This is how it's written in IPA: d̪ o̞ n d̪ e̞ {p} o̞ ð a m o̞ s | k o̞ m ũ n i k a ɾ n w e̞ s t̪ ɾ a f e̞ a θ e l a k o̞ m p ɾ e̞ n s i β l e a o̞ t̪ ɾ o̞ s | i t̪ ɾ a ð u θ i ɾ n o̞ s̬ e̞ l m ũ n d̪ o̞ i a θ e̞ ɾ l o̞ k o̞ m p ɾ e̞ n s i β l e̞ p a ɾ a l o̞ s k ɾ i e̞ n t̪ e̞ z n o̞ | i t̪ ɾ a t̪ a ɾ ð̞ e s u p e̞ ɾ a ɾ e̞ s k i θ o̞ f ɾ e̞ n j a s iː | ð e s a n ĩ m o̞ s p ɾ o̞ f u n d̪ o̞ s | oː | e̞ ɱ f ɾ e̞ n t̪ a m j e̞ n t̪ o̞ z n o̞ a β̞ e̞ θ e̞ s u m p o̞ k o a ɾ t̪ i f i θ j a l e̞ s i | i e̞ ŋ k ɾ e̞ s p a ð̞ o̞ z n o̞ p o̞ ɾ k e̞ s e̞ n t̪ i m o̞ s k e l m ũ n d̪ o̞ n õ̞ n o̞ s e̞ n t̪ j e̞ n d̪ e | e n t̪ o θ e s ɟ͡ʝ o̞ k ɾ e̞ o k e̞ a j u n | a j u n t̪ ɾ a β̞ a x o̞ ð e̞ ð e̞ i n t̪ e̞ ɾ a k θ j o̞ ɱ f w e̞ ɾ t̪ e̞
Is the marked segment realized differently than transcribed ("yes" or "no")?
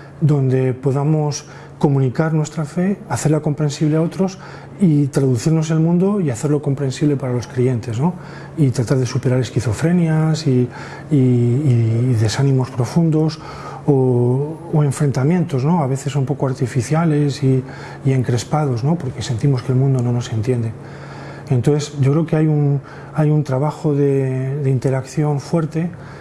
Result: no